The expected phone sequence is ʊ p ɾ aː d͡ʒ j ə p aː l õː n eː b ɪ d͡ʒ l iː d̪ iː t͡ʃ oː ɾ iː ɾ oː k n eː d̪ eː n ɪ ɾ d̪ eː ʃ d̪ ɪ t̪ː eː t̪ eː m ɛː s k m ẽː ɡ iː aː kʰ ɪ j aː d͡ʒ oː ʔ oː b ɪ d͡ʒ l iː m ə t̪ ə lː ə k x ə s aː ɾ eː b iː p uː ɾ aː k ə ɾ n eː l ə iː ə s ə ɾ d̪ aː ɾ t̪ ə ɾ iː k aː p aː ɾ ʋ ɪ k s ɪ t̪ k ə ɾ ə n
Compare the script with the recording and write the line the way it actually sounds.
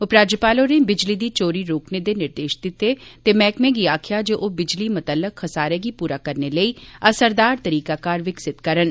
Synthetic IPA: ʊ p ɾ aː d͡ʒ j ə p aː l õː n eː b ɪ d͡ʒ l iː d̪ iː t͡ʃ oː ɾ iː ɾ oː k n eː d̪ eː n ɪ ɾ d̪ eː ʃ d̪ ɪ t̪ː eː t̪ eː m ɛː k m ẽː ɡ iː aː kʰ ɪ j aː d͡ʒ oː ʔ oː b ɪ d͡ʒ l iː m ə t̪ ə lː ə k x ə s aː ɾ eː ɡ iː p uː ɾ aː k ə ɾ n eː l ə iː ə s ə ɾ d̪ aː ɾ t̪ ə ɾ iː k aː k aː ɾ ʋ ɪ k s ɪ t̪ k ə ɾ ə n